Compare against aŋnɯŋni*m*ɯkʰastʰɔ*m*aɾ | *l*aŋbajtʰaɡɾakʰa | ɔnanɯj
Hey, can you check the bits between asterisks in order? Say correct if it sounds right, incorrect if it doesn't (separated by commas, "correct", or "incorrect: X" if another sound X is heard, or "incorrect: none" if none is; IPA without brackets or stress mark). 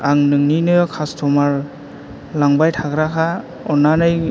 incorrect: n, correct, correct